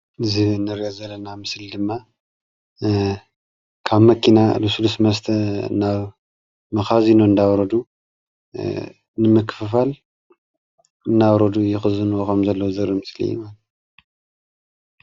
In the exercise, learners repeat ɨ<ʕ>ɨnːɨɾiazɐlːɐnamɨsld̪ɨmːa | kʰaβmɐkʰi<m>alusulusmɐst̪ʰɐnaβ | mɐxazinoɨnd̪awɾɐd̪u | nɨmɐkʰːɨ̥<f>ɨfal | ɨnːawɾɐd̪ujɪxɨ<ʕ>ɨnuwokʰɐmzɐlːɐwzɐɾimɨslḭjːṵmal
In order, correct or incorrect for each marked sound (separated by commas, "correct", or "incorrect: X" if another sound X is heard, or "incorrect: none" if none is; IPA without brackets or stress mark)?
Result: incorrect: z, incorrect: n, correct, incorrect: z